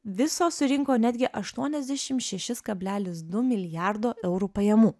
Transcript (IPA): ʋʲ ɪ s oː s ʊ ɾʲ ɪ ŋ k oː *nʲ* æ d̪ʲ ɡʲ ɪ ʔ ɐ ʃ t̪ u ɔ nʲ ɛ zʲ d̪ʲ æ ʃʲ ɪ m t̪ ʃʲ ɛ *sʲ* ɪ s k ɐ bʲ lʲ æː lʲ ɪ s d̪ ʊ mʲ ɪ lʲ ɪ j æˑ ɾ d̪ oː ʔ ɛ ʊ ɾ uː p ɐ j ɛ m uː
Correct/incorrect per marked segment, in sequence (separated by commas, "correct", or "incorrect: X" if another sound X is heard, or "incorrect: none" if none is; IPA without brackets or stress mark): correct, incorrect: ʃʲ